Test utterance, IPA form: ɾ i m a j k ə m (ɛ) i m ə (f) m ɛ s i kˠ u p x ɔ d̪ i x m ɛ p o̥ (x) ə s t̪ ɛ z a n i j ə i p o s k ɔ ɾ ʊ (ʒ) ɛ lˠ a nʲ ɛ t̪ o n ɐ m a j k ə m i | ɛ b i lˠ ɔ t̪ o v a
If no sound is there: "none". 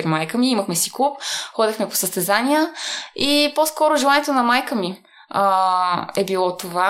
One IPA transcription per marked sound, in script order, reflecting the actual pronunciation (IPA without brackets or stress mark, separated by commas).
i, x, s, ʒ